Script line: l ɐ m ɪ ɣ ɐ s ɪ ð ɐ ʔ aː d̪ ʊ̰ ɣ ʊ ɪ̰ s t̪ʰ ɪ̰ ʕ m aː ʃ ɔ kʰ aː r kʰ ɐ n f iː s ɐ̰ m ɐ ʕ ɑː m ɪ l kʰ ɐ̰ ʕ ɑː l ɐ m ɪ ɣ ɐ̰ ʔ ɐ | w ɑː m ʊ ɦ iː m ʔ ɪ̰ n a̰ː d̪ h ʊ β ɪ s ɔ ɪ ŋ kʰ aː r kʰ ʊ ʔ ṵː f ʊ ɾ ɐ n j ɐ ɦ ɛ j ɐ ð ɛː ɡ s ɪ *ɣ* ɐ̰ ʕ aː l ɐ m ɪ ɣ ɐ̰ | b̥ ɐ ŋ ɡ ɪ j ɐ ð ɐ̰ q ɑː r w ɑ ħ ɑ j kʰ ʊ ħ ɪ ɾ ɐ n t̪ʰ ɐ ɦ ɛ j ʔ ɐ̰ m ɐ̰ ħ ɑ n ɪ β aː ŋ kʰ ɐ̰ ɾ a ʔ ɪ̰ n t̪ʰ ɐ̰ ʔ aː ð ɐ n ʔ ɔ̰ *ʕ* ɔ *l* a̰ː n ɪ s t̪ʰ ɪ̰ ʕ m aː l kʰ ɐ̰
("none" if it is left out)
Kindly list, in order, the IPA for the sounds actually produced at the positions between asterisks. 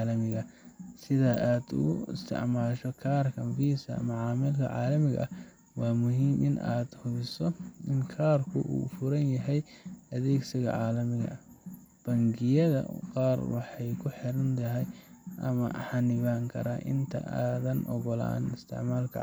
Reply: ɣ, ɣ, l

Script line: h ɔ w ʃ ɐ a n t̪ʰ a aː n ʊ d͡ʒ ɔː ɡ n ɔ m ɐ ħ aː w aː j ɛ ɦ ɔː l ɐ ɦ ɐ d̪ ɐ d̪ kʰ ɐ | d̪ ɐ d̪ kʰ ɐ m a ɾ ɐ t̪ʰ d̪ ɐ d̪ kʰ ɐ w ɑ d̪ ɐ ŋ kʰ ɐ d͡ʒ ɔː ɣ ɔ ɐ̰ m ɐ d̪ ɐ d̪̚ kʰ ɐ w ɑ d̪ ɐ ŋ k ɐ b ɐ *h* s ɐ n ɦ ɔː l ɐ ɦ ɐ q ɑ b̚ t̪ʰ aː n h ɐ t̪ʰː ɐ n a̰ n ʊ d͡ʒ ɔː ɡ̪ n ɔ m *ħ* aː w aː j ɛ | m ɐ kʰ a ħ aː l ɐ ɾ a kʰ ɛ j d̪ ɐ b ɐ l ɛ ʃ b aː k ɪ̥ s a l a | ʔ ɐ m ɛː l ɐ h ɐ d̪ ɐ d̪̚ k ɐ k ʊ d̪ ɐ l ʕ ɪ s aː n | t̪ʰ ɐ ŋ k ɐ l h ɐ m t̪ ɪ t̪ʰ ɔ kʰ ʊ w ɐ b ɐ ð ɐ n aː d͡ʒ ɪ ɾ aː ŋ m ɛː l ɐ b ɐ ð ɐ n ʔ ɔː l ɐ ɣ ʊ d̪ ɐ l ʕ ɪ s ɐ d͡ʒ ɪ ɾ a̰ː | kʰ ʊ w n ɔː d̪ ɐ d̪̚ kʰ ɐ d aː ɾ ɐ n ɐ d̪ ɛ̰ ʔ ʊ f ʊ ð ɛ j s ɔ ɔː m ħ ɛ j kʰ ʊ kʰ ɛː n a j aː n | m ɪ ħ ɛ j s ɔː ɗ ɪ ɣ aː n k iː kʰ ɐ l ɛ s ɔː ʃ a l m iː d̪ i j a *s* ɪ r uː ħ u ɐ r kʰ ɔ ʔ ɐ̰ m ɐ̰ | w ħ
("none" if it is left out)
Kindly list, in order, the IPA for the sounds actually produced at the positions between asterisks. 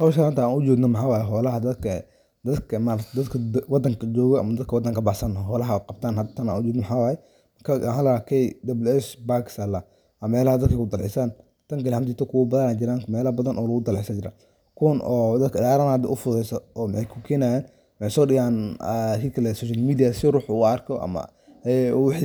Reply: ħ, ħ, s

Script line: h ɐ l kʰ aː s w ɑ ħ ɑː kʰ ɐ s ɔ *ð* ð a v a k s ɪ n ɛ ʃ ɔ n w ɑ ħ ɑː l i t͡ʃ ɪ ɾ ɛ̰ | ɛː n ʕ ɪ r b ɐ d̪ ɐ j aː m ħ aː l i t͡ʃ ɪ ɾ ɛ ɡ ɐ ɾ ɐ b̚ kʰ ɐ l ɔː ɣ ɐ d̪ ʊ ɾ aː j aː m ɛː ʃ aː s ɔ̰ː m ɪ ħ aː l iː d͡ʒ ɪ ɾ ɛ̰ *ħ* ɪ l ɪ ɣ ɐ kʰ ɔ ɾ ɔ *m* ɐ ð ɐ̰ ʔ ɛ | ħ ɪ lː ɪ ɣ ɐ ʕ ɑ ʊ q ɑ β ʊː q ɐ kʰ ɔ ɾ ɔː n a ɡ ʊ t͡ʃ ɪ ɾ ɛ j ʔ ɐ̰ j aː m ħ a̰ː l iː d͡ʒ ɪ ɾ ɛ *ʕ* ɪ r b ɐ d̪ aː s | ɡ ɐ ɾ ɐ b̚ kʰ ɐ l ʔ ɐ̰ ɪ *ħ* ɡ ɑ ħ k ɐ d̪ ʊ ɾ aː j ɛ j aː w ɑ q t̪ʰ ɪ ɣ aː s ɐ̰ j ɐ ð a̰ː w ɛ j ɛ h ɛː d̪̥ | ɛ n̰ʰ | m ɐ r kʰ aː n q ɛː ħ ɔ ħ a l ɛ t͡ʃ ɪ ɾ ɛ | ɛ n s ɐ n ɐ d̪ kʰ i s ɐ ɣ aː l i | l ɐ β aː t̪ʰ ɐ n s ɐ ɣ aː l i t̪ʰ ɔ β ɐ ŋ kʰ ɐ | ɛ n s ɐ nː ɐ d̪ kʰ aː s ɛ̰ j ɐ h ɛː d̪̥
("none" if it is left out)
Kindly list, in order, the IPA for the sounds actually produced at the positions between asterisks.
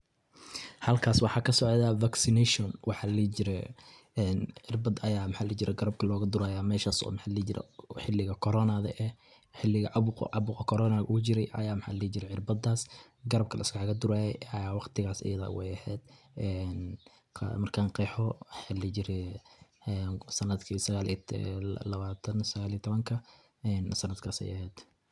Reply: ʕ, ħ, n, ʕ, s

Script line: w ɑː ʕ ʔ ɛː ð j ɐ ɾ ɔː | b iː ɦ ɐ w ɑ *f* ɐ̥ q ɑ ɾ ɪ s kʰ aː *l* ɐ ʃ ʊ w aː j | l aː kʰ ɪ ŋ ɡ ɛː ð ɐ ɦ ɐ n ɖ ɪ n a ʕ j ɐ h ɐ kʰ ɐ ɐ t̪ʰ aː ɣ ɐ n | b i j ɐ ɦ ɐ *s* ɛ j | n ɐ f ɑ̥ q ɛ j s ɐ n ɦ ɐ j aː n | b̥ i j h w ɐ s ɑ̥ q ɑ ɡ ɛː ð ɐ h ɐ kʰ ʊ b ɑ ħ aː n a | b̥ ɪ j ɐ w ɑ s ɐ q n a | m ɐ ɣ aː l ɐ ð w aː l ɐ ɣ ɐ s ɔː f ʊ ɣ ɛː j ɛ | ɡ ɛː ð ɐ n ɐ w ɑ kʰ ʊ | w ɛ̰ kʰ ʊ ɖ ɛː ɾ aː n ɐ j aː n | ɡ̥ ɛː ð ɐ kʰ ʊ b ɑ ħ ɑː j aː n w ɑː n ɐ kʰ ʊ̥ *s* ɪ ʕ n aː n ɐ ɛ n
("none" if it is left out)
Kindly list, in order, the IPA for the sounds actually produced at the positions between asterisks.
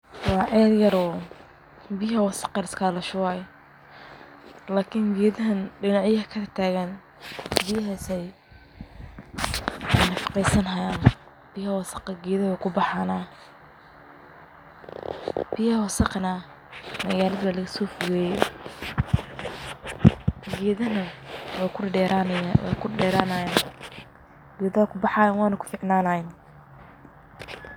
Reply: s, l, s, f

